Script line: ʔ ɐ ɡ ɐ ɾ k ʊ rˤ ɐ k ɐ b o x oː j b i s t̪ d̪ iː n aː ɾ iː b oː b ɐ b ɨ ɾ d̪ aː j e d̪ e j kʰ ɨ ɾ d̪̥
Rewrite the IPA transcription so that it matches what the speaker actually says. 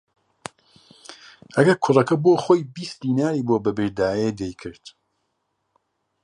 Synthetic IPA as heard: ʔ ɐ ɡ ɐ ɾ kʰ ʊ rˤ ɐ k ɐ b o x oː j b i s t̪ d̪ iː n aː ɾ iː b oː b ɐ b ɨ ɾ d̪ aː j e d̪ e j kʰ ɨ ɾ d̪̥